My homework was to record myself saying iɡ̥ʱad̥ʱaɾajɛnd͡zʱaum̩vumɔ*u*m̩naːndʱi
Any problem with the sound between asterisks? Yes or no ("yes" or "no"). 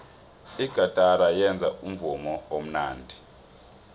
yes